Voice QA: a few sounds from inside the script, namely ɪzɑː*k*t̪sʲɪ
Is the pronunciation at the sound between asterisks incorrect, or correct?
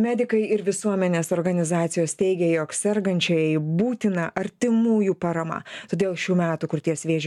incorrect: none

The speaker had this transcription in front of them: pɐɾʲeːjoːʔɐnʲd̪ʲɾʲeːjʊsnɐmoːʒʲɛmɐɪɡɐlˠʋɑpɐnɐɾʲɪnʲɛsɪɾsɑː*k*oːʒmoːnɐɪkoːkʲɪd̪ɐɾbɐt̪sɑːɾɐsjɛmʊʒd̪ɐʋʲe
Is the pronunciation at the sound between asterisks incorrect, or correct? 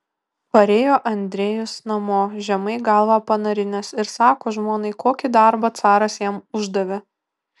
correct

